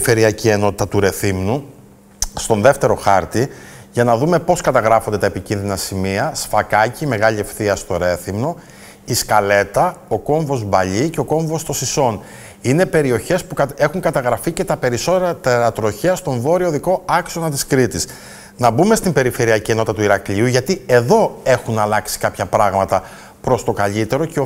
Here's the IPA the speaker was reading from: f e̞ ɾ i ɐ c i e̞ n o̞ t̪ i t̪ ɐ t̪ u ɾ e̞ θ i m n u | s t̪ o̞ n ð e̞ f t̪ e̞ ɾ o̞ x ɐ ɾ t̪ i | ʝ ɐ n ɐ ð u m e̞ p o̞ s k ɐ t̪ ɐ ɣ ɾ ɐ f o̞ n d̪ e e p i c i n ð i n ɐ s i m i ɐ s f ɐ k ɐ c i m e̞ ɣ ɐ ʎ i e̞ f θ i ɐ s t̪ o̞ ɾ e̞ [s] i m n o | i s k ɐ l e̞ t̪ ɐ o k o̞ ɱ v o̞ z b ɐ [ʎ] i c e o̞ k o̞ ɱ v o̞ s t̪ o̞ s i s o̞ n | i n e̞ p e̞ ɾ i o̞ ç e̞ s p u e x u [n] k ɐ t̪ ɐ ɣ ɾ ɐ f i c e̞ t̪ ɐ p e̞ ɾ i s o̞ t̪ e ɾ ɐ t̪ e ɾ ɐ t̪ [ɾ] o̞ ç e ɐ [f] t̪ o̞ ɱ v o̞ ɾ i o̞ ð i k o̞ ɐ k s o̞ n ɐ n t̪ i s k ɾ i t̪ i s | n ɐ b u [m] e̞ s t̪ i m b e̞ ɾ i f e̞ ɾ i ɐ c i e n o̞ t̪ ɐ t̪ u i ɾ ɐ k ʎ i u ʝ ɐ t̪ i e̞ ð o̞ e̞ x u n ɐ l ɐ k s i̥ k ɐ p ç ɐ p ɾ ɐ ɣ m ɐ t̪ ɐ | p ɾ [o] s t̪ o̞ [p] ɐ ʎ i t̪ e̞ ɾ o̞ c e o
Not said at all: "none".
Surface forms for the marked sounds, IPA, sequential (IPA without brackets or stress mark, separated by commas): θ, ʎ, ŋ, ɾ, s, m, o, k